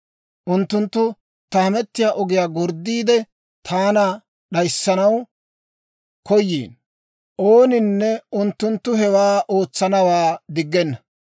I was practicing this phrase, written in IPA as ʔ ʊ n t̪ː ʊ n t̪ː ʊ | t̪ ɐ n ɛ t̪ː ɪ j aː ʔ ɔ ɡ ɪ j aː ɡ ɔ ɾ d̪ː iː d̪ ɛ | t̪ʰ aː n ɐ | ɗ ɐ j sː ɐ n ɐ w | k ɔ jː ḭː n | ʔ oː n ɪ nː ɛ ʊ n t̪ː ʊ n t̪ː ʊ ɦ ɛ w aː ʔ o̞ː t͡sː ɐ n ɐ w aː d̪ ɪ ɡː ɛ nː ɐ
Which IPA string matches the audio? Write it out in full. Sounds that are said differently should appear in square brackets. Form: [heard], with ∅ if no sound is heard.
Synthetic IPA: ʔ ʊ n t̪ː ʊ n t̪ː ʊ | t̪ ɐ [m] ɛ t̪ː ɪ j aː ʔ ɔ ɡ ɪ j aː ɡ ɔ ɾ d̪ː iː d̪ ɛ | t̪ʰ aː n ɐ | ɗ ɐ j sː ɐ n ɐ w | k ɔ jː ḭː n | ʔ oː n ɪ nː ɛ ʊ n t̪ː ʊ n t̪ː ʊ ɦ ɛ w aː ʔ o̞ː t͡sː ɐ n ɐ w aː d̪ ɪ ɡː ɛ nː ɐ